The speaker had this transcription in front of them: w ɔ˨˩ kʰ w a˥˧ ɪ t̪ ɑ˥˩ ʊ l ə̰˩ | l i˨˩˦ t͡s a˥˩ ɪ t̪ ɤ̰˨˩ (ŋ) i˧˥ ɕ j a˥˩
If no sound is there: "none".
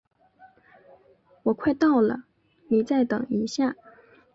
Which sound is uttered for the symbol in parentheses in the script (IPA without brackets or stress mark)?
ŋ